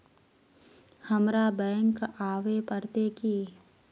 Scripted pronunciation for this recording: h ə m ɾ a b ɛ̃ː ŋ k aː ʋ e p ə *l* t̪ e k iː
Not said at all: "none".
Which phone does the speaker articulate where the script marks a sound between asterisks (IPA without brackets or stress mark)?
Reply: ɾ